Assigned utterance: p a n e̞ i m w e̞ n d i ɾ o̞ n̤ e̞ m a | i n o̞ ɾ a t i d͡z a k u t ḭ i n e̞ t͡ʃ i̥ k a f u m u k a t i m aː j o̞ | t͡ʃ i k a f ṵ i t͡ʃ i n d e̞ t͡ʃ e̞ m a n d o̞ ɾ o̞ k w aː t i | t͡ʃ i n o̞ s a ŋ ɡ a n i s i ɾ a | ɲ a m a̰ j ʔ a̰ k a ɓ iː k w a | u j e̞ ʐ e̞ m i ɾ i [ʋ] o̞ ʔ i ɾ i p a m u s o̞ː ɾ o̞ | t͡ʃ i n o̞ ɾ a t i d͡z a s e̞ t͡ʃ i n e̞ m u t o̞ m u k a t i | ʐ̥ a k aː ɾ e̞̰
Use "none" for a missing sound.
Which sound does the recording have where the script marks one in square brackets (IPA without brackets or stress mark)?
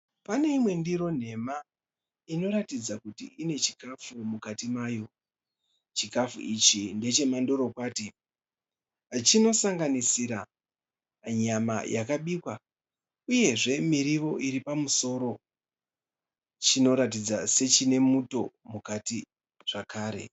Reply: ʋ